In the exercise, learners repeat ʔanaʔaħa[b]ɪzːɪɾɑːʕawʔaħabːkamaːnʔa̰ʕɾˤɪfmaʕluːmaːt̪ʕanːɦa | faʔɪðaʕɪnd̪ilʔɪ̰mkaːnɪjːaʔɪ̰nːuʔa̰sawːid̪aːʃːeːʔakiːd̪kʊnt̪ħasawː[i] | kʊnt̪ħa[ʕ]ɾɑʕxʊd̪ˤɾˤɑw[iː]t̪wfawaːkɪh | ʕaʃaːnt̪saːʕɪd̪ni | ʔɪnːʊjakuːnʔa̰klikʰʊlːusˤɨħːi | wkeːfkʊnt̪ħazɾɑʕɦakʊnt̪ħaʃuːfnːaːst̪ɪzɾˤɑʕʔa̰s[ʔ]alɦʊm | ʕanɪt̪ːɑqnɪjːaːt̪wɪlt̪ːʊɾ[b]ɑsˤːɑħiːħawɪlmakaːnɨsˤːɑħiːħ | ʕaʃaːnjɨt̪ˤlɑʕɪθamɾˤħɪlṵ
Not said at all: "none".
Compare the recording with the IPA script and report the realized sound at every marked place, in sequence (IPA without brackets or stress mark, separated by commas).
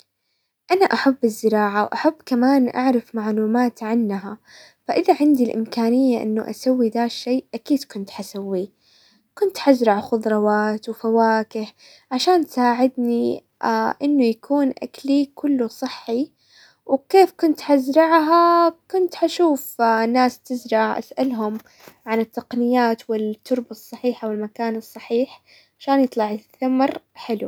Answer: bː, i, z, aː, ʔ, b